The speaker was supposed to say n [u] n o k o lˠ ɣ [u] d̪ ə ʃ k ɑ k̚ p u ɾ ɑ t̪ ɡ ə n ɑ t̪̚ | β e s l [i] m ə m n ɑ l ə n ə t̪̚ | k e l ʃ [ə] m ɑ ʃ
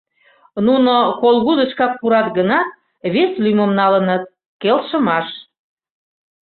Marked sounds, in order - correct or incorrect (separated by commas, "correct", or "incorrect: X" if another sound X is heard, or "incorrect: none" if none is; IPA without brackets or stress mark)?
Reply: correct, correct, incorrect: y, correct